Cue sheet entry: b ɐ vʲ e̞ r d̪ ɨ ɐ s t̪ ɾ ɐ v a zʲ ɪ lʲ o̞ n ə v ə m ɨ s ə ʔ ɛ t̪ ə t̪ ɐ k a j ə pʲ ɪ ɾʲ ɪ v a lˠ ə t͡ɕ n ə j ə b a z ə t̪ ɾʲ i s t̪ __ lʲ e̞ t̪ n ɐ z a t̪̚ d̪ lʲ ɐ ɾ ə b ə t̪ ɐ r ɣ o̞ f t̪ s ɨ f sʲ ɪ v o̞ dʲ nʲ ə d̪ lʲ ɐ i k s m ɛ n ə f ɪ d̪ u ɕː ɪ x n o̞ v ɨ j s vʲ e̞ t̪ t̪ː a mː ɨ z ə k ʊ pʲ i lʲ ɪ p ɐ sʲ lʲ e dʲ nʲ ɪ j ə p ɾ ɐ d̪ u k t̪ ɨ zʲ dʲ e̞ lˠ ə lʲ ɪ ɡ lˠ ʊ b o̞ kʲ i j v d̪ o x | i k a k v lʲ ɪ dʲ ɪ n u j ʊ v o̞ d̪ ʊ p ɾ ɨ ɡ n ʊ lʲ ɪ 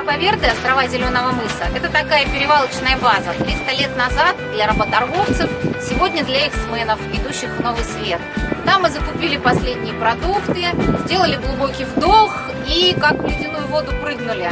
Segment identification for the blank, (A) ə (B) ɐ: A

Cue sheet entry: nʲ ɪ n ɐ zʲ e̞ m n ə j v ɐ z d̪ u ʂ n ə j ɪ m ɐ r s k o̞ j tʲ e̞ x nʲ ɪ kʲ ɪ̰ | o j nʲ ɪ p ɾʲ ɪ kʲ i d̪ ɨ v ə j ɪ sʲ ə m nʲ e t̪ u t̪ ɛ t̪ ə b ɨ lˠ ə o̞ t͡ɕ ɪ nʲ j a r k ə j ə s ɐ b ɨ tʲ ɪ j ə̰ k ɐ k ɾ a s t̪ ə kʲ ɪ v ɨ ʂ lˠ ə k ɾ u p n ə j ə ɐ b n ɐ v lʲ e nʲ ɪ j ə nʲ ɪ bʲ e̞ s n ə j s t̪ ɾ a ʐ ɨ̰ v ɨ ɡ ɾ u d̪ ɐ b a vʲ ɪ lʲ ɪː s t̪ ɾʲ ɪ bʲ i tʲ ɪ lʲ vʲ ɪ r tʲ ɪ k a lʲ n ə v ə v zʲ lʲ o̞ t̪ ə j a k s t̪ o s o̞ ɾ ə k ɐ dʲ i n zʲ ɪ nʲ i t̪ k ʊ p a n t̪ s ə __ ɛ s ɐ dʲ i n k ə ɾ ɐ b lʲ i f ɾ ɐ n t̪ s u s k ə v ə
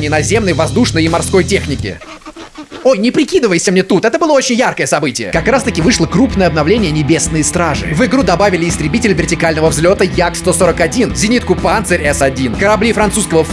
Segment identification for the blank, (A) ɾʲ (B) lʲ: A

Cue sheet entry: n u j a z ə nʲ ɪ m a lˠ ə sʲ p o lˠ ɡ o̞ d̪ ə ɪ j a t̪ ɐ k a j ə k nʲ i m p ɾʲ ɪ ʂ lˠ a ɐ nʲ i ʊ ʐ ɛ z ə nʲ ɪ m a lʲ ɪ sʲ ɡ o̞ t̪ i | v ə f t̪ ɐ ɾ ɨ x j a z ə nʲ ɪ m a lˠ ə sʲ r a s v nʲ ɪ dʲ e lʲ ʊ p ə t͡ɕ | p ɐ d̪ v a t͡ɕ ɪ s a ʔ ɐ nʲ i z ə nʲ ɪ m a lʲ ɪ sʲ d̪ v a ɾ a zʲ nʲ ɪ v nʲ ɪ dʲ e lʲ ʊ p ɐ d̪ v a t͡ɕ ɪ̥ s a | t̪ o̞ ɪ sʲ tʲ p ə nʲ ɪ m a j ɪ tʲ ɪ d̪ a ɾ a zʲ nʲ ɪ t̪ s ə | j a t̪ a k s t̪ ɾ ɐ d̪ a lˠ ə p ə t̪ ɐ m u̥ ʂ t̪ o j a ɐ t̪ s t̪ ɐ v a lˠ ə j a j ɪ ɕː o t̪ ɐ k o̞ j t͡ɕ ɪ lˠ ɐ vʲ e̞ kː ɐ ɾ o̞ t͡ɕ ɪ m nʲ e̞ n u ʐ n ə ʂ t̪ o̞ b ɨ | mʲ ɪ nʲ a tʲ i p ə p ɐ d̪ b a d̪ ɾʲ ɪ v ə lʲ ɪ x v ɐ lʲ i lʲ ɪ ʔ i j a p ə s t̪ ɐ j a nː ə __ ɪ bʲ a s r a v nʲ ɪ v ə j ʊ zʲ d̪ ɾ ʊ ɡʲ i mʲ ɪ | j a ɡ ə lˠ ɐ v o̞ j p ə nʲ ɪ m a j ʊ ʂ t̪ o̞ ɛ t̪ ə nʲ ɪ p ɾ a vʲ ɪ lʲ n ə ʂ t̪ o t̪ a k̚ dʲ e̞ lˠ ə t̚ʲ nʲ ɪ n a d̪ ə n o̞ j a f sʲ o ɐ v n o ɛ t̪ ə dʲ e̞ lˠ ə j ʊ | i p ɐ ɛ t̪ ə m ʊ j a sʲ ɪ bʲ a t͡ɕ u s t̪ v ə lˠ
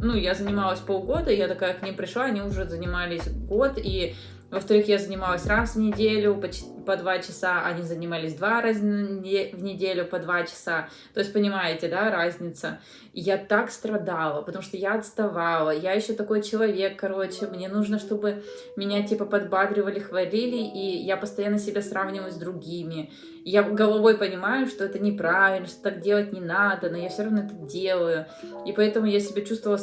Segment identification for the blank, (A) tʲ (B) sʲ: B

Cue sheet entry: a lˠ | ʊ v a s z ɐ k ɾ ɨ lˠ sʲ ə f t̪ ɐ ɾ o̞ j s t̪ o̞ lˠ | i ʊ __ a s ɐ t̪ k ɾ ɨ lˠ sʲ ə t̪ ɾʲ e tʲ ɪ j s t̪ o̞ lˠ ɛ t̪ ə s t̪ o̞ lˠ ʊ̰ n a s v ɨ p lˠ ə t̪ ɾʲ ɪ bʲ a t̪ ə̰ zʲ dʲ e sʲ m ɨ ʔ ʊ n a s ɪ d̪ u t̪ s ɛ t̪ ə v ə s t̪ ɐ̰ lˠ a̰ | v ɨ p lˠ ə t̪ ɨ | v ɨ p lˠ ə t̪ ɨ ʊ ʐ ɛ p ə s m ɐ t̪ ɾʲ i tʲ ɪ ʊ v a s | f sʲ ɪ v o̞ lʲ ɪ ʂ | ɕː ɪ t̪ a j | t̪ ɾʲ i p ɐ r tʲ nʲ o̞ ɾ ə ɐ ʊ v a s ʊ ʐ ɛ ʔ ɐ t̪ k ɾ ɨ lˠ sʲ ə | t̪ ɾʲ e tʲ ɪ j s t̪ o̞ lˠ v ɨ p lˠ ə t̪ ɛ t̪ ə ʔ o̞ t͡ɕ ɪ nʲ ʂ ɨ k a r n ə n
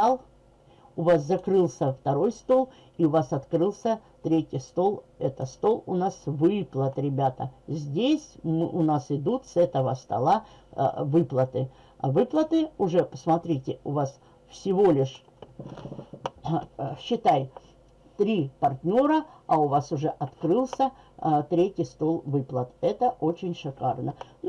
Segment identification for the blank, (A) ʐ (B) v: B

